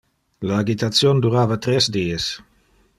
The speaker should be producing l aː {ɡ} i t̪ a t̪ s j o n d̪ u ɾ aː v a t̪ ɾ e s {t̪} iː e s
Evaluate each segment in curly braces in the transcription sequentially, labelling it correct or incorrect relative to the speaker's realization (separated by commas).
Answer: correct, incorrect